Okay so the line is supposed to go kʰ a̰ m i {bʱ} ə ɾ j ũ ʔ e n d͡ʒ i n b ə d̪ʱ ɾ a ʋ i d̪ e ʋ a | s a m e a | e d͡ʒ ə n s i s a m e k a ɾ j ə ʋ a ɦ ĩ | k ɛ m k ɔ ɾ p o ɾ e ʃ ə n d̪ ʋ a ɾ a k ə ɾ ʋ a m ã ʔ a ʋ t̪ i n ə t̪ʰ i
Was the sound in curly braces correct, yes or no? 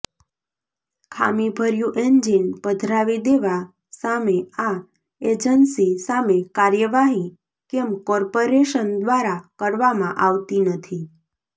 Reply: yes